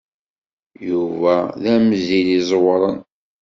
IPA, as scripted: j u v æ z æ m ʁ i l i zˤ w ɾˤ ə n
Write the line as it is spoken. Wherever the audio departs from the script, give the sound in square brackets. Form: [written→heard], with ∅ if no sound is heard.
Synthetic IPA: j u v æ [z→ð] æ m [ʁ→z] i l i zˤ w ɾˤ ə n